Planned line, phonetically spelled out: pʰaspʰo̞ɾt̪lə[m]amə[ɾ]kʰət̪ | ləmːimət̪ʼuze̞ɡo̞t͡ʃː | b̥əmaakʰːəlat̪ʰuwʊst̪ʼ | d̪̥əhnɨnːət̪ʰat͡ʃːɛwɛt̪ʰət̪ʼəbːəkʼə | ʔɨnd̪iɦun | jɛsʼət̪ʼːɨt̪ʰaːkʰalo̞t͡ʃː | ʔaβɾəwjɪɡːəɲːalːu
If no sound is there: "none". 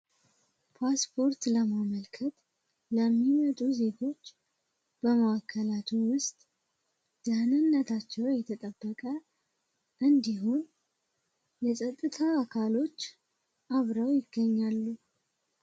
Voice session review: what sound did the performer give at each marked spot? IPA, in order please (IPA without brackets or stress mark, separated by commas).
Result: m, l